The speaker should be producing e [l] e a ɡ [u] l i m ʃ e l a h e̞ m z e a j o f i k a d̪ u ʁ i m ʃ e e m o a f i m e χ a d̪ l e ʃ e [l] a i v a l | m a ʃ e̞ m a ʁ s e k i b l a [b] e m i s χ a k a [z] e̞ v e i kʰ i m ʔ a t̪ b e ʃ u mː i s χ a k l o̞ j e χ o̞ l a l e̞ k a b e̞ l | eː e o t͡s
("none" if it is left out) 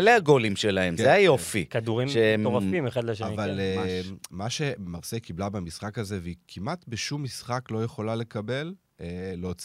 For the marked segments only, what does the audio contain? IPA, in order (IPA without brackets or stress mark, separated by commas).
l, o, none, b, z